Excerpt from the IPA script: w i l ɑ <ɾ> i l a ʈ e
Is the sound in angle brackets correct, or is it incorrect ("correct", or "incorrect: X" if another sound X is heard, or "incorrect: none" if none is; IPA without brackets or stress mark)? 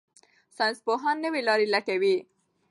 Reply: correct